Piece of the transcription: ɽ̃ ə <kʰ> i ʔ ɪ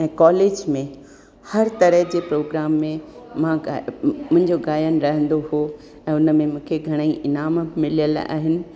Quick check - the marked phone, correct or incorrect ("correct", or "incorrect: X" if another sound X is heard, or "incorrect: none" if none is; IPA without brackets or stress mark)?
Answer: incorrect: none